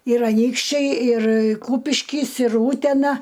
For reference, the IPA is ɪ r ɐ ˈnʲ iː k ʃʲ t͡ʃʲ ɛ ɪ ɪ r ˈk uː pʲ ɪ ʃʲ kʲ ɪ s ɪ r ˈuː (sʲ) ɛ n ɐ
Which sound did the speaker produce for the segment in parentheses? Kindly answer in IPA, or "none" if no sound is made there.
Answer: tʲ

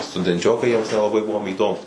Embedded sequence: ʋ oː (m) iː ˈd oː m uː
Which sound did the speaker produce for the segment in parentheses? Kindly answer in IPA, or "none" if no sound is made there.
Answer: m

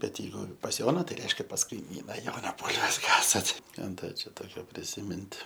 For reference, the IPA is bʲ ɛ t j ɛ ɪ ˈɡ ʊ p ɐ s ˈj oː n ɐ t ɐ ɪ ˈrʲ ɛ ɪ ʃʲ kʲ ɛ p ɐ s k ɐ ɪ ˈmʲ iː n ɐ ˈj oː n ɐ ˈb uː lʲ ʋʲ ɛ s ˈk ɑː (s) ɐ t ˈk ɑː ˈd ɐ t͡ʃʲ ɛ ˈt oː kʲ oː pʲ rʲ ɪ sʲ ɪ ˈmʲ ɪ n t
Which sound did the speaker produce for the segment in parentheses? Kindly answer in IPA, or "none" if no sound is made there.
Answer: s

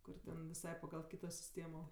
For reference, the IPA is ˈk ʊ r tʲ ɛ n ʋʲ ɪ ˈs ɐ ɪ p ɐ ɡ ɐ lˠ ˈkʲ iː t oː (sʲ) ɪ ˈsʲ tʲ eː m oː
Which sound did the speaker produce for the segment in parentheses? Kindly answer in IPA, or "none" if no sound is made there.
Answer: sʲ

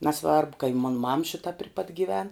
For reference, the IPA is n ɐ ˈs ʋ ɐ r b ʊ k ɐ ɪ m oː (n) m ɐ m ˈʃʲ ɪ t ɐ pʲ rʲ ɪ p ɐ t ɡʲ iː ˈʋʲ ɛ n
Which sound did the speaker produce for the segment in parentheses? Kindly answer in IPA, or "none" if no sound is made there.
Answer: n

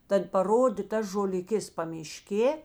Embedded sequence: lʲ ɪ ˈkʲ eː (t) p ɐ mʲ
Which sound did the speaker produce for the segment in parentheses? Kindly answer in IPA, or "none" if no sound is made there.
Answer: s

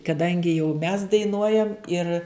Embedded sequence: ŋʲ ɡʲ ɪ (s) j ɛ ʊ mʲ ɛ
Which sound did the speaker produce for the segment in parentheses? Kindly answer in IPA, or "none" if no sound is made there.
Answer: none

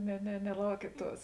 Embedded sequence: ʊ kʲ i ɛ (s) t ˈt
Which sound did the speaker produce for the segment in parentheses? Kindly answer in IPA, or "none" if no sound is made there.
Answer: none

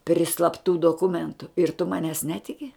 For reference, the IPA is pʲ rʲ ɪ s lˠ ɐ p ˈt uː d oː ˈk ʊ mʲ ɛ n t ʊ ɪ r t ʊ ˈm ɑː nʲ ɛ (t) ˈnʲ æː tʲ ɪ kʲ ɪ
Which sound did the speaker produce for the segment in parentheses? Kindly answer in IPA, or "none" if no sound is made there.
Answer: s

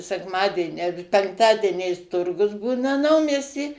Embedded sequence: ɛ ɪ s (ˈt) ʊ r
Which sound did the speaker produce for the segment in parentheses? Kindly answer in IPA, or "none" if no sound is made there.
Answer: t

